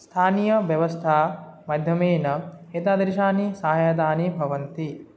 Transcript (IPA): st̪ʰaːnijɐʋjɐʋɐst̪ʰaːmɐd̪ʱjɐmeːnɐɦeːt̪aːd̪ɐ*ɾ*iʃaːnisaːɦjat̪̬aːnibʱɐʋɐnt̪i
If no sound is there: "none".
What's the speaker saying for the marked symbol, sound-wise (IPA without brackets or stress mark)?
ɾ